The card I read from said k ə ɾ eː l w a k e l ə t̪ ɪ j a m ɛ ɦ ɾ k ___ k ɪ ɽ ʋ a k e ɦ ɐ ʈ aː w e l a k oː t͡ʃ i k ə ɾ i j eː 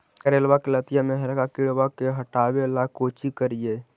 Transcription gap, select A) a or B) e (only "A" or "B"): A